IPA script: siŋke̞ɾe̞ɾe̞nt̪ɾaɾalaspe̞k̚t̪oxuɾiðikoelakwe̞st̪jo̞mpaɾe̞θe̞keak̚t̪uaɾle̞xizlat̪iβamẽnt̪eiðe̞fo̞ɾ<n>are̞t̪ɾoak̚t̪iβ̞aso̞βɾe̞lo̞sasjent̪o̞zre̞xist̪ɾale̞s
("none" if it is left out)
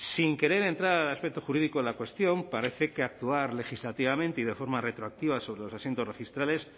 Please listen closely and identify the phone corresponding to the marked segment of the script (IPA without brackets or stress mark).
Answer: m